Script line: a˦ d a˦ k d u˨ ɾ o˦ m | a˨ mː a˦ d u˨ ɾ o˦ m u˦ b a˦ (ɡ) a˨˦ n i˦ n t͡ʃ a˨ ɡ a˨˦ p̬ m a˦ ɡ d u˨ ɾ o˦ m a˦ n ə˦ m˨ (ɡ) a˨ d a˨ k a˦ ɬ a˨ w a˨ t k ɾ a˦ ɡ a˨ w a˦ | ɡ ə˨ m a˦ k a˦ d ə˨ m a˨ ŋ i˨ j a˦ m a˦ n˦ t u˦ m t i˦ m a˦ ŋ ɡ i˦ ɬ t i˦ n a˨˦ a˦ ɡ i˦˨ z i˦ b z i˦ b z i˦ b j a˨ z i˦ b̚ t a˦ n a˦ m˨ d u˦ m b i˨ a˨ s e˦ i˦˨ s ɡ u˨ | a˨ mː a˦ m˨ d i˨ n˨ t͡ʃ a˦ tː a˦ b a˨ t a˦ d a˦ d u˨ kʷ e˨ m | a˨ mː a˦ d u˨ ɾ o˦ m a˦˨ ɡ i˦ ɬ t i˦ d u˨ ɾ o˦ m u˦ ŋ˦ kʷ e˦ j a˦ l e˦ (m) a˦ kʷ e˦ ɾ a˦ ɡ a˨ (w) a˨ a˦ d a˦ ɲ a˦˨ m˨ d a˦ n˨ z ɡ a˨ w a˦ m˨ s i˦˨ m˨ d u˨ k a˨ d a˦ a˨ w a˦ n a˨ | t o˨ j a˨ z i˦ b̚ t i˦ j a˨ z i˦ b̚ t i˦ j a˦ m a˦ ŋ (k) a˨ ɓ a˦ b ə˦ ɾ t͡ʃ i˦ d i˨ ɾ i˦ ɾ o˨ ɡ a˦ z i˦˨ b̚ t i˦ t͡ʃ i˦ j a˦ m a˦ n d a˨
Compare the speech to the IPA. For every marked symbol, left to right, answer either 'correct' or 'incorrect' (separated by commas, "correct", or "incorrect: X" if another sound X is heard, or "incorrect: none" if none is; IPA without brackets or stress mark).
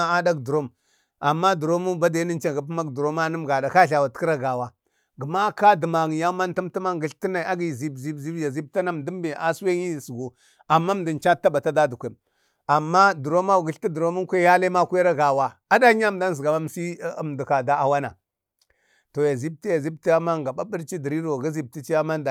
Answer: incorrect: d, correct, correct, correct, incorrect: ɡ